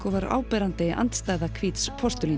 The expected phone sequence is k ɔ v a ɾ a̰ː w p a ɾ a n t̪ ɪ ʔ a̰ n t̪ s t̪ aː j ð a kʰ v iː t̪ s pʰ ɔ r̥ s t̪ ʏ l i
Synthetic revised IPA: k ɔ v a ɾ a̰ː w p ɛ ɾ a n t̪ ɪ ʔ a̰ n t̪ s t̪ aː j ð a kʰ v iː t̪ s pʰ ɔ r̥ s t̪ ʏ l i